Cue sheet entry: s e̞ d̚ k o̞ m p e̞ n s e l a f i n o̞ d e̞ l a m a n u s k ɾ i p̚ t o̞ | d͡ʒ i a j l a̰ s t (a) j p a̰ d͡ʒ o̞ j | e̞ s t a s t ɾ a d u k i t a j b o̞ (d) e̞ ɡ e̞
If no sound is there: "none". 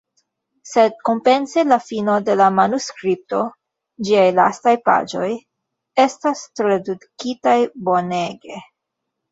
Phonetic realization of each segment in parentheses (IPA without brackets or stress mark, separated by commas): a, n